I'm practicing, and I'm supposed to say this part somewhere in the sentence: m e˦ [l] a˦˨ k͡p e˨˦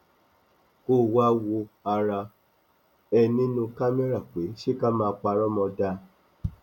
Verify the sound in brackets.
incorrect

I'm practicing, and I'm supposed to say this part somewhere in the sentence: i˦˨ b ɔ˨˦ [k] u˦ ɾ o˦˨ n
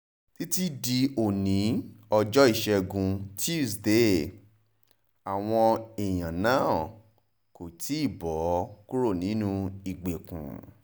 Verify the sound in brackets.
correct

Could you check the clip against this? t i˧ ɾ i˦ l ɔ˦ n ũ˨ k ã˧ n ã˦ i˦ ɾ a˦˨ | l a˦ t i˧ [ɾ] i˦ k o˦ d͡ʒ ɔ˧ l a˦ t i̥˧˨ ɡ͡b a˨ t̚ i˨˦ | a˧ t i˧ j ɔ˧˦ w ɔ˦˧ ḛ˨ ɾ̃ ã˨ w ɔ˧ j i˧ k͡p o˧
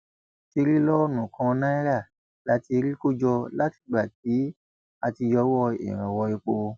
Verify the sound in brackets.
correct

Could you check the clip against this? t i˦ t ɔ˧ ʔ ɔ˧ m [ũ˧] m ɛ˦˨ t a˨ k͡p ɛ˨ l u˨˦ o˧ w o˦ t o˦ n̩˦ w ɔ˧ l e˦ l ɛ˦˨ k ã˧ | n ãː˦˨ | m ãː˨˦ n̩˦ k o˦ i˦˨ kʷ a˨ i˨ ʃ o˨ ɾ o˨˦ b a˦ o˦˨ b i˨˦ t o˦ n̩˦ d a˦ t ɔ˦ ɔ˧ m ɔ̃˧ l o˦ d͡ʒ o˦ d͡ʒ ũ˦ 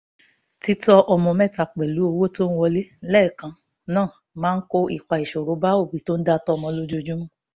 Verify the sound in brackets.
incorrect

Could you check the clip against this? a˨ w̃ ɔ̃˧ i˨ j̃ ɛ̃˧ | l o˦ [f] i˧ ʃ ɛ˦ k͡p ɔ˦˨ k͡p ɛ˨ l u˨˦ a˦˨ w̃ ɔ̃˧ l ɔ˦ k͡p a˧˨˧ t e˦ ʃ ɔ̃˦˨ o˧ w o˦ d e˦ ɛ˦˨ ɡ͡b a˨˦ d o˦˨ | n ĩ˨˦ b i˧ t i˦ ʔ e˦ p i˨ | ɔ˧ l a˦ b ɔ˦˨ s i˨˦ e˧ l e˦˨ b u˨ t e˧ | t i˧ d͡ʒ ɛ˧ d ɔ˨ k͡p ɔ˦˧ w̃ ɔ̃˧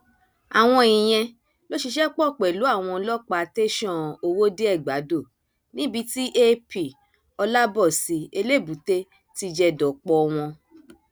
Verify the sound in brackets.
incorrect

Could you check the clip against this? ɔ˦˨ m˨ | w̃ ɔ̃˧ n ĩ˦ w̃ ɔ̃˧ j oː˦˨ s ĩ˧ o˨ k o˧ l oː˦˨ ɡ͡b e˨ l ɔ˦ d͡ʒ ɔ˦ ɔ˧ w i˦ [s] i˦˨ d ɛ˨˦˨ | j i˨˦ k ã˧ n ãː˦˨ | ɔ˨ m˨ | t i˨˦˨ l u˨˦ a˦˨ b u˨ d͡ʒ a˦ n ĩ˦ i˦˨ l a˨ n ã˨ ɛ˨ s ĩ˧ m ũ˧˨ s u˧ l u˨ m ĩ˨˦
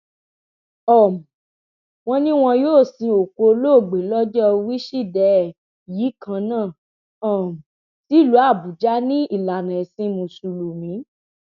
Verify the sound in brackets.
incorrect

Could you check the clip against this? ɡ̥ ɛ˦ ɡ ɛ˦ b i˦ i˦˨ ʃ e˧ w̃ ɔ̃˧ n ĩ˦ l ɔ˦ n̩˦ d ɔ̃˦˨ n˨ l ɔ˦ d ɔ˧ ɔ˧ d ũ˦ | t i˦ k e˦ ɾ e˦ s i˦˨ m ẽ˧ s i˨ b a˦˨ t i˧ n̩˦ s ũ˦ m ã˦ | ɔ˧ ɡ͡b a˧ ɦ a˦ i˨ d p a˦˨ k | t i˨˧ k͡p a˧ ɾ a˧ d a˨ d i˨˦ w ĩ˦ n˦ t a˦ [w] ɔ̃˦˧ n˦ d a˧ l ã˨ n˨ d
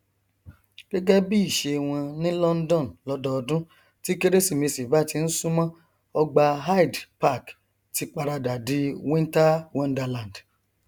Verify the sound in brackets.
correct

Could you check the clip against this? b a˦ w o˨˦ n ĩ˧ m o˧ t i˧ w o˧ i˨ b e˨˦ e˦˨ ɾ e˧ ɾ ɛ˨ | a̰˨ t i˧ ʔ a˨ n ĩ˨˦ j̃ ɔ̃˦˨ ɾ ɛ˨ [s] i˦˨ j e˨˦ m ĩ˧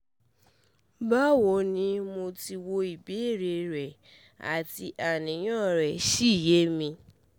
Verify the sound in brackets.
incorrect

